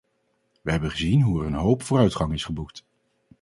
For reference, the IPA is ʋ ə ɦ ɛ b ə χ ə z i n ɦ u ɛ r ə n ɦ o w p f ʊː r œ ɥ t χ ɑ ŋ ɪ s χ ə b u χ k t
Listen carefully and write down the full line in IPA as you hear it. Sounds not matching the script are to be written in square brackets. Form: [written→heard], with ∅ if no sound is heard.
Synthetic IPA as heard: ʋ ə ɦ ɛ b ə χ ə z i n ɦ u ɛ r ə n ɦ o w p f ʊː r œ ɥ t χ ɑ ŋ ɪ s χ ə b u [χ→∅] k t